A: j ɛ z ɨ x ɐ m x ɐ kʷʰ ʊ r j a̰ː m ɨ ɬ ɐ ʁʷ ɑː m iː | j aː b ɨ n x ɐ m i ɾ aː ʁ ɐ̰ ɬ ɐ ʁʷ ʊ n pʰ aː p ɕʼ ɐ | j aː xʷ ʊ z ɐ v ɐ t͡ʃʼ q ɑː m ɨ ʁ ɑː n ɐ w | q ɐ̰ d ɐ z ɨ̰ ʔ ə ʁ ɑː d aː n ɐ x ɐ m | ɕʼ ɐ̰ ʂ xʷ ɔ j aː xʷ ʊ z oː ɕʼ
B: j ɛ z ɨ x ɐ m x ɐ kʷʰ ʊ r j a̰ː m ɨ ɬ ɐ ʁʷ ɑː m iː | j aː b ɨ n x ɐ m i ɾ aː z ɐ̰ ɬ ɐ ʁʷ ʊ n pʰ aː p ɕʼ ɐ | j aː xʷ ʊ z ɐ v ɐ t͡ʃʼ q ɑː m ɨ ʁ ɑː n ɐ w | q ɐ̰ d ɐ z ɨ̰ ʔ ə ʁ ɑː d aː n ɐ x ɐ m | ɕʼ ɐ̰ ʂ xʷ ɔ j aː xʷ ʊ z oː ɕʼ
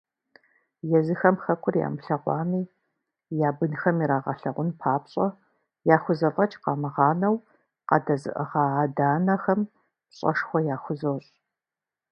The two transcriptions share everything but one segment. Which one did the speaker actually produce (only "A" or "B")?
A